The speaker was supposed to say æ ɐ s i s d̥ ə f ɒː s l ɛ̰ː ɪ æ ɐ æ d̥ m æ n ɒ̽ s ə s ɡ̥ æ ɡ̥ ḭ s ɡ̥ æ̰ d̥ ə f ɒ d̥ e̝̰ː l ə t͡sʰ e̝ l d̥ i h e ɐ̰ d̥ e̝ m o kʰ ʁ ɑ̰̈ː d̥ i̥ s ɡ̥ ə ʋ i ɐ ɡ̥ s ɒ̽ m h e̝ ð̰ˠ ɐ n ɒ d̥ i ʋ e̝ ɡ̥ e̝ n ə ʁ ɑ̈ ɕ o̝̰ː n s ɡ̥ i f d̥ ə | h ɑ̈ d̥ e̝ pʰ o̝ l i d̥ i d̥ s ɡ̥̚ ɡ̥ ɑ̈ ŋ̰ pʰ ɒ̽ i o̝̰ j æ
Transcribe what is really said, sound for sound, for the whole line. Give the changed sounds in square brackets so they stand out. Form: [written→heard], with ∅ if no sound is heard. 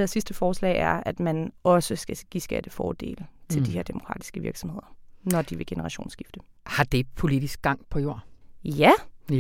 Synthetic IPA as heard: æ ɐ s i s d̥ ə f ɒː s l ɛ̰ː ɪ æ ɐ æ d̥ m æ n ɒ̽ s ə s ɡ̥ æ ɡ̥ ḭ s ɡ̥ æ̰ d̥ ə f [ɒ→ɒː] d̥ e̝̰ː l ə t͡sʰ e̝ l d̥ i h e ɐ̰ d̥ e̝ m o kʰ ʁ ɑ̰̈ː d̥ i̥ s ɡ̥ ə ʋ i ɐ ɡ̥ s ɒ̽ m h e̝ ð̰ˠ ɐ n ɒ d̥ i ʋ e̝ ɡ̥ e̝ n ə ʁ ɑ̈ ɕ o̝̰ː n s ɡ̥ i f d̥ ə | h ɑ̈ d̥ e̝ pʰ o̝ l i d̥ i [d̥→∅] s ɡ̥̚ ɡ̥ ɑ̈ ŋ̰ pʰ ɒ̽ [i→j] o̝̰ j æ